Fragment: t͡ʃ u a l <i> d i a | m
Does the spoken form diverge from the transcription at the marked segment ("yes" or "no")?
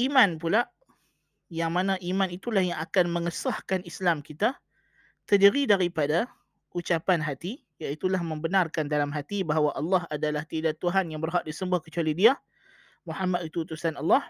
no